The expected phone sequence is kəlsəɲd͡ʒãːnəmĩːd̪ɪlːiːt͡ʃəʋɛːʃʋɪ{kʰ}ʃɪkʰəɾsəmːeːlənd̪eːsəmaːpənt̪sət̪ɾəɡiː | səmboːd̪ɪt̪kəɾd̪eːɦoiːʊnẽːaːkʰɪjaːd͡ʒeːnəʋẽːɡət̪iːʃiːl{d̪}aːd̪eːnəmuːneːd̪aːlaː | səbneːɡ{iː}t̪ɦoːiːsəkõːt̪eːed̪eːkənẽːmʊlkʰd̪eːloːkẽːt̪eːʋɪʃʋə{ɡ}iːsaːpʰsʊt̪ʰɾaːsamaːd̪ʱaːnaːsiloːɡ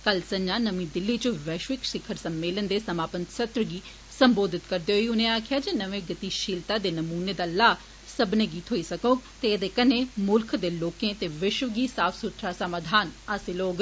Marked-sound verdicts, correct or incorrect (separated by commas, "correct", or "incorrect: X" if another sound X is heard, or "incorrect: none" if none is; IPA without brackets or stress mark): incorrect: k, incorrect: t̪, correct, correct